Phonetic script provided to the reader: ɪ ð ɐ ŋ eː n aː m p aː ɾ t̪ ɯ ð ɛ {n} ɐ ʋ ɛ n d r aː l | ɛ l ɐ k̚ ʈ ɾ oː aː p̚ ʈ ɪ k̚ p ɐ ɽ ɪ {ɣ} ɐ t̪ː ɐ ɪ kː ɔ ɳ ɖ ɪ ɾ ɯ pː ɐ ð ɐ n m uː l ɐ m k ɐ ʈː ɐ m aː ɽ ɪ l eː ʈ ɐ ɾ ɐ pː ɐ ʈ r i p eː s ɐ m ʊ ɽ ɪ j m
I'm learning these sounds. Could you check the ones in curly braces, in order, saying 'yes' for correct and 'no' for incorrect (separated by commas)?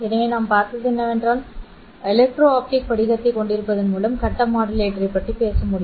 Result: no, yes